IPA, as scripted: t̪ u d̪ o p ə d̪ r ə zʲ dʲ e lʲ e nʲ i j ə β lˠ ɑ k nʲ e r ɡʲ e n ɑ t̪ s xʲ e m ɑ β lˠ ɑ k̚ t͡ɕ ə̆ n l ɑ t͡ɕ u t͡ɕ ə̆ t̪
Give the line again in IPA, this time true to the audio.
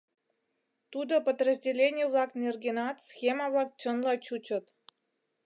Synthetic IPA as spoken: t̪ u d̪ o p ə d̪ r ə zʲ dʲ e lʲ e nʲ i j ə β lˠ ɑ k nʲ e r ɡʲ e n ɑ t̪ s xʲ e m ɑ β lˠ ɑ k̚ t͡ɕ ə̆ n l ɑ t͡ɕ u t͡ɕ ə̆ t̪